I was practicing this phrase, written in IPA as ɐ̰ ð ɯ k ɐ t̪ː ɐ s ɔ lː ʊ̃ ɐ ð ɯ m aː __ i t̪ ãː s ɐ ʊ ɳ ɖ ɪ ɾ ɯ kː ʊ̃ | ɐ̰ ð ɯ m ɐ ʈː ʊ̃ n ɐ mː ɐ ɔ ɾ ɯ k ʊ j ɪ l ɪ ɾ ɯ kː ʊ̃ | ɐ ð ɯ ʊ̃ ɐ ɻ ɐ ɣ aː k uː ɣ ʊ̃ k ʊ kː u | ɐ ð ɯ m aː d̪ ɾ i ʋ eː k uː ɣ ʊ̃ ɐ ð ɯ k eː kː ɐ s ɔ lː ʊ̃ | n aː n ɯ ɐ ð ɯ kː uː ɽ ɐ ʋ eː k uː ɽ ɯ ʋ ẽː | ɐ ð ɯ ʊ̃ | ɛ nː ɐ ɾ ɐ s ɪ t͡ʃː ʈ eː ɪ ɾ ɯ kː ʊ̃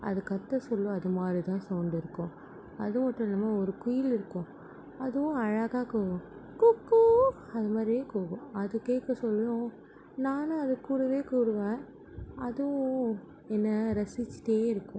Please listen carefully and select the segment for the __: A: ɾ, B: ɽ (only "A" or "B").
A